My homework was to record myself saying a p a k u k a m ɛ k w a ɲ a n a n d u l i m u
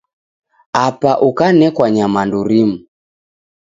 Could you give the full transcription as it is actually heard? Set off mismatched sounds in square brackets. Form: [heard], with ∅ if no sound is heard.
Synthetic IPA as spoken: a p a [ʔ] u k a [n] ɛ k w a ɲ a [m] a n d u [ɾ] i m u